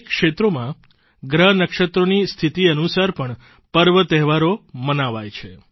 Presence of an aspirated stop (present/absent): present